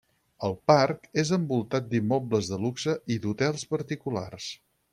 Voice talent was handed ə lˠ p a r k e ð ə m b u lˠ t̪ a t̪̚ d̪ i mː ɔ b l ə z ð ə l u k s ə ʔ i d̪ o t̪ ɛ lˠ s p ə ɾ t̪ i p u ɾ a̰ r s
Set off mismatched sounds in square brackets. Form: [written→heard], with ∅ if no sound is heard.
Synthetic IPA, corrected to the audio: ə lˠ p a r k e [ð→z] ə m b u lˠ t̪ a t̪̚ d̪ i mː ɔ b l ə z ð ə l u k s ə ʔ i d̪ [o→u] t̪ ɛ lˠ s p ə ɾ t̪ i [p→k] u [ɾ→l] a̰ r s

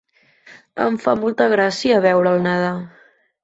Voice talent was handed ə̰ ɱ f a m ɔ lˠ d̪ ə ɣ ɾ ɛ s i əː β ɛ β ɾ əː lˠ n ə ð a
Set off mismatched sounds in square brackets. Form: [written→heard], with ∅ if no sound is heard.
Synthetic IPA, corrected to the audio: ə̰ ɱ f a m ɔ lˠ [d̪→t̪] ə ɣ ɾ [ɛ→a] s i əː β ɛ [β→w] ɾ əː lˠ n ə ð a

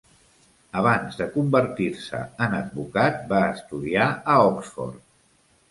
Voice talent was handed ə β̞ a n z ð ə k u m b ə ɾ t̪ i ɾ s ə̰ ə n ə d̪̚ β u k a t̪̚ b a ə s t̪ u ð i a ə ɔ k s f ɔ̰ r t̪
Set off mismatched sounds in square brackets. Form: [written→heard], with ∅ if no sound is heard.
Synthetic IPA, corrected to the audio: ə β̞ a n z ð ə k u m b ə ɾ t̪ i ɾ s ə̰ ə n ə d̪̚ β u k a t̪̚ b a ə s t̪ u ð i a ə ɔ k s f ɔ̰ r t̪

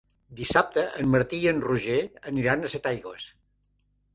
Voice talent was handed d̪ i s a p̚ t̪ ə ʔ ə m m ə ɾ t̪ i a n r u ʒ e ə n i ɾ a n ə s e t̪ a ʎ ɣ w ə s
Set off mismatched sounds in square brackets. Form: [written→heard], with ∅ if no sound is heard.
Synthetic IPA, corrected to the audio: d̪ i s a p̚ t̪ ə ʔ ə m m ə ɾ t̪ i [a→ə] n r u ʒ e ə n i ɾ a n ə s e t̪ a [ʎ→j] ɣ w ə s

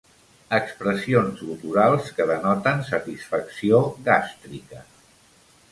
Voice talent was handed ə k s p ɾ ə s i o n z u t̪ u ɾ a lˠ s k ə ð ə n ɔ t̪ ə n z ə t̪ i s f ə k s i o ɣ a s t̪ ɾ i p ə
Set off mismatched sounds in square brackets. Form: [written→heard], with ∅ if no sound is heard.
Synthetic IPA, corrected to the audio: ə k s p ɾ ə s i o n z u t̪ u ɾ a lˠ s k ə ð ə n ɔ t̪ ə n [z→s] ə t̪ i s f ə k s i o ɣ a s t̪ ɾ i [p→k] ə

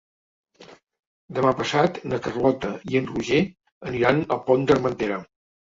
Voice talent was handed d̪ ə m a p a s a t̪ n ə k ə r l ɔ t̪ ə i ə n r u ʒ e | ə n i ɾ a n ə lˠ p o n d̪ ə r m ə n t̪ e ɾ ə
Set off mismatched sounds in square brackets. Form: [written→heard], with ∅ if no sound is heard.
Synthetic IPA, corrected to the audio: d̪ ə m a p [a→ə] s a t̪ n ə k ə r l ɔ t̪ ə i ə n r u ʒ e | ə n i ɾ a n ə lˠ p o n d̪ ə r m ə n t̪ e ɾ ə

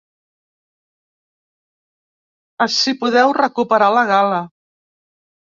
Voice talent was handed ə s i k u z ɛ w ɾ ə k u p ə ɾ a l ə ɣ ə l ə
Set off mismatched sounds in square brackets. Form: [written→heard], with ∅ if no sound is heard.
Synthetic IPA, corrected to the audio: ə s i [k→p] u [z→ð] ɛ w [ɾ→r] ə k u p ə ɾ a l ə ɣ [ə→a] l ə

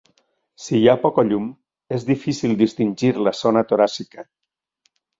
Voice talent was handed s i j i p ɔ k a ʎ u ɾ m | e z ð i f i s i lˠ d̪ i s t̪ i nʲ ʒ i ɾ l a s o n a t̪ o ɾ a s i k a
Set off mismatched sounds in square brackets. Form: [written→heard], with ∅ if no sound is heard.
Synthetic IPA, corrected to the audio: s i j [i→a] p ɔ k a ʎ u [ɾ→∅] m | e z ð i f i s i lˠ d̪ i s t̪ i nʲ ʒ i ɾ l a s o n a t̪ o ɾ a s i k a

